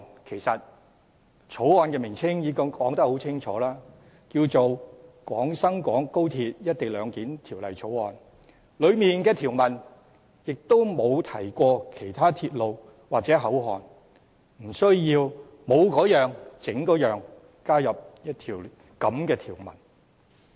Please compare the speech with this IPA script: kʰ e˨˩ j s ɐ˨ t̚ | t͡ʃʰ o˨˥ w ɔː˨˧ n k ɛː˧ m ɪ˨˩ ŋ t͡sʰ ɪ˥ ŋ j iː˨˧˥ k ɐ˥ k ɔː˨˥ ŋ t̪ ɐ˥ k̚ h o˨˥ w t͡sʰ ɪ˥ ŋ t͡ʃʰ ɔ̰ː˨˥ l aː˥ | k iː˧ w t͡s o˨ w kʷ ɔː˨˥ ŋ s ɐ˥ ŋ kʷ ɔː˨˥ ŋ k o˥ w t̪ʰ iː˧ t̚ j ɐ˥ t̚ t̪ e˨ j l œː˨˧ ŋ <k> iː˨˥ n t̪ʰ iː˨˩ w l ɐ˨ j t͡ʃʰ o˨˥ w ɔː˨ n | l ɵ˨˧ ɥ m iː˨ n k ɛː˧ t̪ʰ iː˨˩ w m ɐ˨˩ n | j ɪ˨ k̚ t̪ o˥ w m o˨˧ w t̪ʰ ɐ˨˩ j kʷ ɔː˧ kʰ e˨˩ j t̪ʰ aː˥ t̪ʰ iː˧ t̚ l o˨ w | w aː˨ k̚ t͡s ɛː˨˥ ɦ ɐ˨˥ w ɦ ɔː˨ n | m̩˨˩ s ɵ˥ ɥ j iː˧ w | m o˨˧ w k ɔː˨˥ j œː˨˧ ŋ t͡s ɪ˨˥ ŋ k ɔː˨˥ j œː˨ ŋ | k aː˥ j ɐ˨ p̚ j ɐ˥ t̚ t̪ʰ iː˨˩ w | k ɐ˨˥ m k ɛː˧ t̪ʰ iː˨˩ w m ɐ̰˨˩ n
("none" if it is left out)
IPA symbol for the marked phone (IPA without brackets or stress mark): k